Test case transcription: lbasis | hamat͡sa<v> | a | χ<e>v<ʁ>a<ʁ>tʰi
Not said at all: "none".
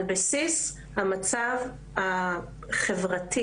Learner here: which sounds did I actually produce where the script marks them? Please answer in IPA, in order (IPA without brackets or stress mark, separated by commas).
v, e, ʁ, none